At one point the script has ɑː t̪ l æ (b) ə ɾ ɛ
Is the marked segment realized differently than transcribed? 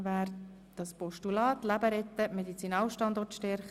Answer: no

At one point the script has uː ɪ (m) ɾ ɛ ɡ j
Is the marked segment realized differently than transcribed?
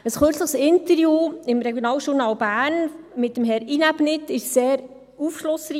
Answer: no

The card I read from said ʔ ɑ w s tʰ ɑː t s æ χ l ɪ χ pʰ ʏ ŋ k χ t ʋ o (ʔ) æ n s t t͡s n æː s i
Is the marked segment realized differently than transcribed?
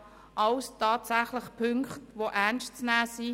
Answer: no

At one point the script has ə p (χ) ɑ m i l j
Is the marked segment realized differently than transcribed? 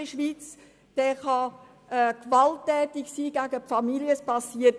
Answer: yes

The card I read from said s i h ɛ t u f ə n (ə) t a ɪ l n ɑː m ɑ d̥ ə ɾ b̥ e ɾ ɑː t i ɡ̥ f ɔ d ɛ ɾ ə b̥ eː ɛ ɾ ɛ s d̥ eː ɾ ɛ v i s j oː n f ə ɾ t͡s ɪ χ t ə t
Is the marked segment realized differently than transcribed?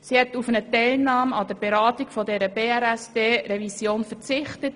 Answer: no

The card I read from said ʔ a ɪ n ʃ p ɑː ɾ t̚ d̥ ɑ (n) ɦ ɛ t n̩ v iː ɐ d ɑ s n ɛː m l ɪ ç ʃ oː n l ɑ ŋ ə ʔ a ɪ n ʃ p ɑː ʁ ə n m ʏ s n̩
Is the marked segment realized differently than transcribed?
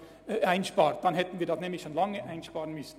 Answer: no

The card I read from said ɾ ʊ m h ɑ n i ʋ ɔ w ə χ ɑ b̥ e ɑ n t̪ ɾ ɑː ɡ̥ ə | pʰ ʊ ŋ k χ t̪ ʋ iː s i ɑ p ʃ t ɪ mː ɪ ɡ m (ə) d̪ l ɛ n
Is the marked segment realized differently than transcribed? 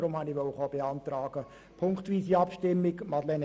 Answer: yes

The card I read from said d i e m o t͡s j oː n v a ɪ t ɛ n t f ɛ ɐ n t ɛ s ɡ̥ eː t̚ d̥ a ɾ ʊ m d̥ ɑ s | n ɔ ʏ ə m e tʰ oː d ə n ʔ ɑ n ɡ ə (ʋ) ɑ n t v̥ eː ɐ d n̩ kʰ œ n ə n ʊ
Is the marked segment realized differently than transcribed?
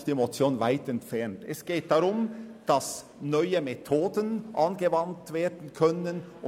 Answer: yes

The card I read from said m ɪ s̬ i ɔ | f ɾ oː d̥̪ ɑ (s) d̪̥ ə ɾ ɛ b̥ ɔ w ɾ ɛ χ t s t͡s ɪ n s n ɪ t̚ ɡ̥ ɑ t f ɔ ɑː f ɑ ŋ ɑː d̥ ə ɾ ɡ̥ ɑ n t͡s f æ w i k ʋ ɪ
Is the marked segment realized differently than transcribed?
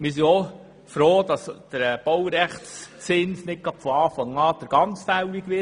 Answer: no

